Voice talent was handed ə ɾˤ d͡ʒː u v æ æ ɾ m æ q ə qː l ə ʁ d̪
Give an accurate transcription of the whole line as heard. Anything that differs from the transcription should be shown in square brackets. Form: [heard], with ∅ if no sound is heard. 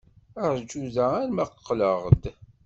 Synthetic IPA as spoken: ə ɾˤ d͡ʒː u [ð] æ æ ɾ m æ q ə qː l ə ʁ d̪